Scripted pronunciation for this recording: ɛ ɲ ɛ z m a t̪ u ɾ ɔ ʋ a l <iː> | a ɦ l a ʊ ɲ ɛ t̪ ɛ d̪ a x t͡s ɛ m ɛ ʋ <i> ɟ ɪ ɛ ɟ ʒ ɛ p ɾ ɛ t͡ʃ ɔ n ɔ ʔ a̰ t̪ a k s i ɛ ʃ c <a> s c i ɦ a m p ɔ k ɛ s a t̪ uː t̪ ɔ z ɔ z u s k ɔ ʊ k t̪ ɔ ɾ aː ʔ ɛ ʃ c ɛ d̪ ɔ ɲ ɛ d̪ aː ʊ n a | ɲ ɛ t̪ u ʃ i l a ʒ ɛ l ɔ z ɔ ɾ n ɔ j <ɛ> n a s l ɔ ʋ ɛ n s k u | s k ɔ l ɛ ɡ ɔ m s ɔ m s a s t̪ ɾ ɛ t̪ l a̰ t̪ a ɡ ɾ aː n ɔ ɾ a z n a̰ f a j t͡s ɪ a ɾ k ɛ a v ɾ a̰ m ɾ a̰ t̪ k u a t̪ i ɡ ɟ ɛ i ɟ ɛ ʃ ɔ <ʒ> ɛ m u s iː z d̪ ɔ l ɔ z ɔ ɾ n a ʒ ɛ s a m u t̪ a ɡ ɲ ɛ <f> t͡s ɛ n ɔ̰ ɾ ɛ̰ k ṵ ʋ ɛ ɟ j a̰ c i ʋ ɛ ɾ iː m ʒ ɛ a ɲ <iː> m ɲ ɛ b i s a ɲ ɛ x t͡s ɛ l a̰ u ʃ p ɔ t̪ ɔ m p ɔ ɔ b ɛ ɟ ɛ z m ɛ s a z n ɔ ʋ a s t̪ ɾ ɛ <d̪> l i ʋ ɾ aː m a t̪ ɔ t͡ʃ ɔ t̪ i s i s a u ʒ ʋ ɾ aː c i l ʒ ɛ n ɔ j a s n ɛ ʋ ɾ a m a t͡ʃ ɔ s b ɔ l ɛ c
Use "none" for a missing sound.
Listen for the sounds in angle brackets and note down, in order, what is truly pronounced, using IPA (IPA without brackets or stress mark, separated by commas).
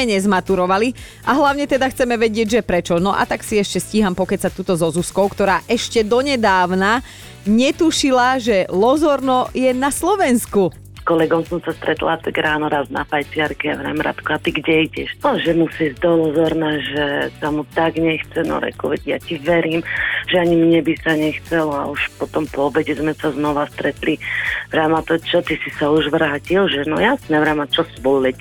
i, ɛ, ɛ, ɛ, ʒ, x, i, t̪